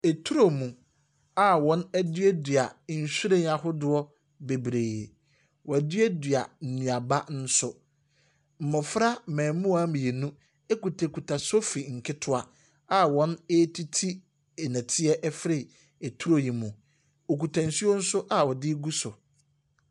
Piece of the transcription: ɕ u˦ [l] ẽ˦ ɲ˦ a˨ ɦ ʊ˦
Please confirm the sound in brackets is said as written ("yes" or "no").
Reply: no